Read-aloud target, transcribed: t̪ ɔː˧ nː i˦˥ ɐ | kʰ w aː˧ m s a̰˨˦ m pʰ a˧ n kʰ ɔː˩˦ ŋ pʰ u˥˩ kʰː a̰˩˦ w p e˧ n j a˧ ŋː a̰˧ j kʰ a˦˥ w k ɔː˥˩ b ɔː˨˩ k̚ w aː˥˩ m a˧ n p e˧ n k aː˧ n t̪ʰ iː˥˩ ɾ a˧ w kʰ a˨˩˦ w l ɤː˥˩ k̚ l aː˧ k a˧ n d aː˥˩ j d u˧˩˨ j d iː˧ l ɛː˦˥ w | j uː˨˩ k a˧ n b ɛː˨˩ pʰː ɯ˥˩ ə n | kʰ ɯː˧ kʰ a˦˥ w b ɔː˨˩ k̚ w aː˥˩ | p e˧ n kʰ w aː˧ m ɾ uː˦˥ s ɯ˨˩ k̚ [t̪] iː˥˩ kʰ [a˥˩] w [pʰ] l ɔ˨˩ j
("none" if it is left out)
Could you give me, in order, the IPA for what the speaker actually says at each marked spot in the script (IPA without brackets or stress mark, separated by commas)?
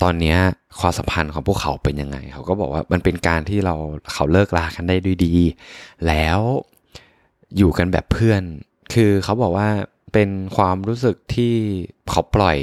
t̪ʰ, a˦˥, p